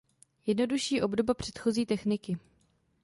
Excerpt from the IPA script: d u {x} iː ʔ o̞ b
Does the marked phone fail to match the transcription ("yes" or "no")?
yes